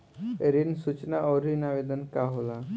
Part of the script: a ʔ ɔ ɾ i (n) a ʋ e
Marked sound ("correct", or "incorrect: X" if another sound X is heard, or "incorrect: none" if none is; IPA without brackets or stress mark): correct